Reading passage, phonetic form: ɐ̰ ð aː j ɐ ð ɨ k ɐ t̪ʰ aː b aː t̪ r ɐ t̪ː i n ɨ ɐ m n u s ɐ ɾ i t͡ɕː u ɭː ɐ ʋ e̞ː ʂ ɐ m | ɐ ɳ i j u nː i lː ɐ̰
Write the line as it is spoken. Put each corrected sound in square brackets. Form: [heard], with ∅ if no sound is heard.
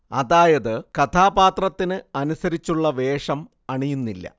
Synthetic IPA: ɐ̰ ð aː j ɐ ð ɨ k ɐ t̪ʰ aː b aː t̪ r ɐ t̪ː i n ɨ ɐ [∅] n u s ɐ ɾ i t͡ɕː u ɭː ɐ ʋ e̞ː ʂ ɐ m | ɐ ɳ i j u nː i lː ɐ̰